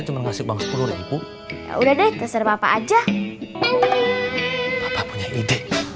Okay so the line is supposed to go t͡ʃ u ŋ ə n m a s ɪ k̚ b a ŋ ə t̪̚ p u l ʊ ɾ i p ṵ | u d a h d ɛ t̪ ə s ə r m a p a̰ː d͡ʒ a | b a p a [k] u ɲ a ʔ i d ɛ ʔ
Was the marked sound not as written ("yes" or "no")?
yes